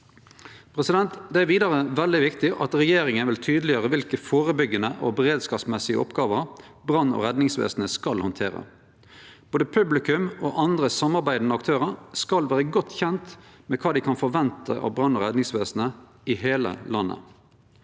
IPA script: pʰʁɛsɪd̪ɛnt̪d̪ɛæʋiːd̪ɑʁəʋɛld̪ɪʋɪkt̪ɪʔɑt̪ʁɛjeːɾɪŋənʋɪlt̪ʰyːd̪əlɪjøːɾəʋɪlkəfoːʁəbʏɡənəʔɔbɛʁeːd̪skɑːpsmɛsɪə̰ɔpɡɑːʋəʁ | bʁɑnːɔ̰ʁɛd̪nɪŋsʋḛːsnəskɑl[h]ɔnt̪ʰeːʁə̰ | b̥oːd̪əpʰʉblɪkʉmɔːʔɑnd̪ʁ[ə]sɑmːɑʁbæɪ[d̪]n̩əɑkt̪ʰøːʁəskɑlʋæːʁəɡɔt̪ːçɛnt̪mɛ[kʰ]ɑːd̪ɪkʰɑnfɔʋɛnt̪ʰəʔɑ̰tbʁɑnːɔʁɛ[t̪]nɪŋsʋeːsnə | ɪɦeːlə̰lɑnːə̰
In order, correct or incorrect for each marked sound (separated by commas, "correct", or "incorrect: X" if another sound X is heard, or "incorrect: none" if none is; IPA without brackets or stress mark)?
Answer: correct, correct, correct, correct, incorrect: d̪